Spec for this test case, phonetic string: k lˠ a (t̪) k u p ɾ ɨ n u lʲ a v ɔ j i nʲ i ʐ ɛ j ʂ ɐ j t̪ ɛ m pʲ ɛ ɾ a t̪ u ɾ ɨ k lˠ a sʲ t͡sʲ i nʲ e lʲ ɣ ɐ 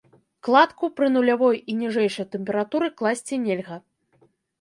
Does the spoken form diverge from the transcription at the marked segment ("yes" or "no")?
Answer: no